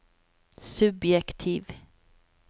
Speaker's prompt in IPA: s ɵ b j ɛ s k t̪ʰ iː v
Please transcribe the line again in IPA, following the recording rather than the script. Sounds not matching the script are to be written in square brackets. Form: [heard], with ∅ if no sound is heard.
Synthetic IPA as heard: s ɵ b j ɛ [∅] k t̪ʰ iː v